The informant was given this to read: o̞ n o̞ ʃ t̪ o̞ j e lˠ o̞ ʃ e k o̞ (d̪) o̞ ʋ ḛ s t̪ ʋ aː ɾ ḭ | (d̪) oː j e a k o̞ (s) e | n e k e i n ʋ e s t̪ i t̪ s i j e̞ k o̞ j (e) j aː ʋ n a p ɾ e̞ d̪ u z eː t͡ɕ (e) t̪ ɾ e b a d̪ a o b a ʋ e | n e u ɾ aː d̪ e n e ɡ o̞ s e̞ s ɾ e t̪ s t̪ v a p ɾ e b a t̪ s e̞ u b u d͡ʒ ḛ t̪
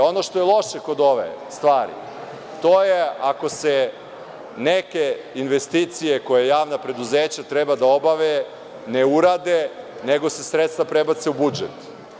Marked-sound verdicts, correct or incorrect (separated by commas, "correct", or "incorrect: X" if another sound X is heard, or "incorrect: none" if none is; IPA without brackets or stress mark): correct, incorrect: t̪, correct, correct, incorrect: a